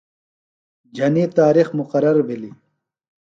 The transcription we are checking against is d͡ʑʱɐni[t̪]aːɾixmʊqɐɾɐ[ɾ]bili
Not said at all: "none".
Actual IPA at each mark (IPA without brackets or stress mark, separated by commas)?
t̪, ɾ